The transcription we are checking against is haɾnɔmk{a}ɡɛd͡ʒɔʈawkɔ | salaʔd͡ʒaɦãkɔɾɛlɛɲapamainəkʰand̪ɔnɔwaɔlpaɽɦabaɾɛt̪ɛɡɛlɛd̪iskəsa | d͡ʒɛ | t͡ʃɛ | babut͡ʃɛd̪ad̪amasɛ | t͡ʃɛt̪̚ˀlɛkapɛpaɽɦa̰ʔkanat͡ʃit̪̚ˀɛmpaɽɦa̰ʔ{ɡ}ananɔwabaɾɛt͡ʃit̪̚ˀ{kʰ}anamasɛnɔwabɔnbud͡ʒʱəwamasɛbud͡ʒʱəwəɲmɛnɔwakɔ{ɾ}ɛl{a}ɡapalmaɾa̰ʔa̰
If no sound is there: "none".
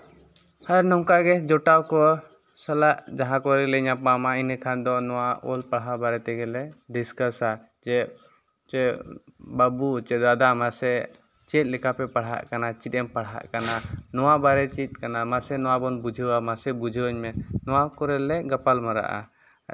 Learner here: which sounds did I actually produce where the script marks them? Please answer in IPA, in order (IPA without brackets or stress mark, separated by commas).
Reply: a, k, k, ɾ, ɛ